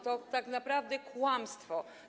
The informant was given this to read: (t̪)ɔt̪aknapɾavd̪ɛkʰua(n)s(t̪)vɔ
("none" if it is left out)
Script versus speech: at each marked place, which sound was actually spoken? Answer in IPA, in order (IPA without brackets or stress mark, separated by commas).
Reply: t̪, m, t̪